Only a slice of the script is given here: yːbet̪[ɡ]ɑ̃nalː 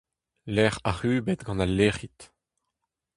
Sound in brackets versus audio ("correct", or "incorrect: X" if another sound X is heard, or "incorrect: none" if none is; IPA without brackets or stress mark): correct